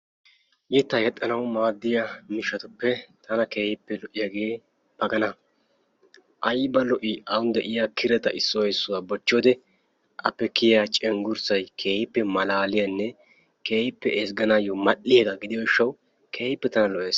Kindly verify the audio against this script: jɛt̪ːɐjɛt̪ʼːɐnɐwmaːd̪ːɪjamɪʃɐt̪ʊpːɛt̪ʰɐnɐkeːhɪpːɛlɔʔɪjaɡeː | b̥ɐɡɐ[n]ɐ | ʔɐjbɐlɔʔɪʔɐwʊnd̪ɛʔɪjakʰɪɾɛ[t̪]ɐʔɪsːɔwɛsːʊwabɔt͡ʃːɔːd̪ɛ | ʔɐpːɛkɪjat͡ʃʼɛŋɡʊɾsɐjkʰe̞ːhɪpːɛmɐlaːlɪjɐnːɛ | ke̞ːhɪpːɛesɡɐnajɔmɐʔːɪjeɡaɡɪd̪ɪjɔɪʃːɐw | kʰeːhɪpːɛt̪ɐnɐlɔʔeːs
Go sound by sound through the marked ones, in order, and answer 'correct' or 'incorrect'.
correct, correct

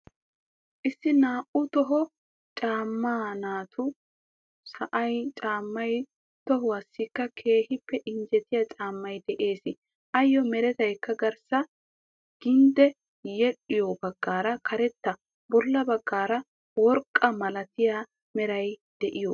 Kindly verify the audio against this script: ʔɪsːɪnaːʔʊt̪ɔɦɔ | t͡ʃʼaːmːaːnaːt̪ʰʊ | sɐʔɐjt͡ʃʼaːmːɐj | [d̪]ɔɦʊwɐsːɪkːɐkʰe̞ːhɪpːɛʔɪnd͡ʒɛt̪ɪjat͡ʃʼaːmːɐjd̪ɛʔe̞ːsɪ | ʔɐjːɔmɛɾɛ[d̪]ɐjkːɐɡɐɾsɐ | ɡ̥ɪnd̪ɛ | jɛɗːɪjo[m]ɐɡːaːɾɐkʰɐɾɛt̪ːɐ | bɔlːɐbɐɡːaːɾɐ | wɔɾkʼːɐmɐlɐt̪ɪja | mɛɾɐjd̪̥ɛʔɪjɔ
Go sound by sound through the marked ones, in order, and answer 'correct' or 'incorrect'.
incorrect: t̪, incorrect: t̪, incorrect: b

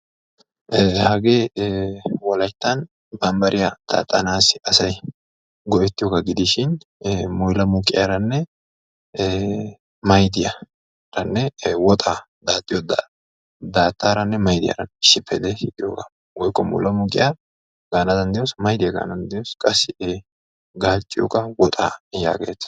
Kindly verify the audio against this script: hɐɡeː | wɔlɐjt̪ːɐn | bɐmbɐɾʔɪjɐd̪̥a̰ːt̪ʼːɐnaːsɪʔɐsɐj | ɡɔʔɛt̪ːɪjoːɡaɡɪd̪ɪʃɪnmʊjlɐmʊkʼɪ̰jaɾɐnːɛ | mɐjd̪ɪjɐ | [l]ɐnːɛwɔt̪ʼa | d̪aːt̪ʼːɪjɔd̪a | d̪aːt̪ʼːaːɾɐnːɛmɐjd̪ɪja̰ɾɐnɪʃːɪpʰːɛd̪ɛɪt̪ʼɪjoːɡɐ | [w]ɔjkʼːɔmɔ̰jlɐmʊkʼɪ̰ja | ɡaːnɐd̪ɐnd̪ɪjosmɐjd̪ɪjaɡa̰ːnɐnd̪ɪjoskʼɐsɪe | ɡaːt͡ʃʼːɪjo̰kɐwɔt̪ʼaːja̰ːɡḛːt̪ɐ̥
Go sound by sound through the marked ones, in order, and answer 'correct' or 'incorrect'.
incorrect: ɾ, correct

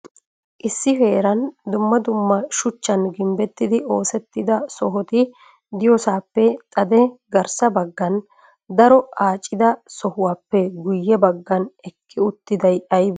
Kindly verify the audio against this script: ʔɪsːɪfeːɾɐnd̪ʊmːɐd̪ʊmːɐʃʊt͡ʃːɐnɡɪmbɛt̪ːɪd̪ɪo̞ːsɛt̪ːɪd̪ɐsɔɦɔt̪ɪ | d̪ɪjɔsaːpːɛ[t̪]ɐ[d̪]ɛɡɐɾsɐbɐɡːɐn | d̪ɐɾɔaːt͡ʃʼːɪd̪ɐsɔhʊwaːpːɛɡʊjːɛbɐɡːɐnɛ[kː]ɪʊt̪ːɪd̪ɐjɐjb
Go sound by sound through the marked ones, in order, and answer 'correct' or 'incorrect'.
incorrect: t̪ʼ, correct, correct

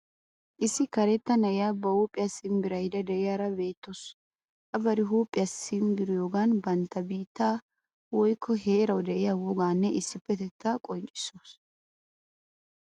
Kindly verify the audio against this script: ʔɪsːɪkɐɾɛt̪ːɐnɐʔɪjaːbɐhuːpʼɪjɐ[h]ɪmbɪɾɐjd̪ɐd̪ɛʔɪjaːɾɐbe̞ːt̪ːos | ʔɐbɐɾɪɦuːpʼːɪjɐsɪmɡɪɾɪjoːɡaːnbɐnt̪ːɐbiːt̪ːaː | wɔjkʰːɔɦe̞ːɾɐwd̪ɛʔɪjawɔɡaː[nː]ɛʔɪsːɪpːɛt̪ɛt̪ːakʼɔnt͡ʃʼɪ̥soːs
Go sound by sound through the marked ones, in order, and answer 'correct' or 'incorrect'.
incorrect: s, correct

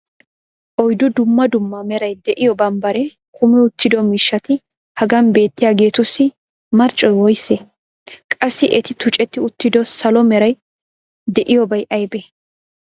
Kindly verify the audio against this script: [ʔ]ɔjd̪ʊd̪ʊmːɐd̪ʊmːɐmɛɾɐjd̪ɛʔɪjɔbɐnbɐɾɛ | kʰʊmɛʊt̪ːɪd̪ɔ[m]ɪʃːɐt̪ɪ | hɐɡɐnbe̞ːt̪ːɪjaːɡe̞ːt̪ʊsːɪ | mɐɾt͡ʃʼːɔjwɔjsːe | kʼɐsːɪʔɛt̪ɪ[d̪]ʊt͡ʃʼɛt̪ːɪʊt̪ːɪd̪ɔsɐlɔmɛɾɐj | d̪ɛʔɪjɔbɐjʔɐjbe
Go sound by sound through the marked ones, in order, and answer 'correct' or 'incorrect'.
correct, correct, incorrect: t̪

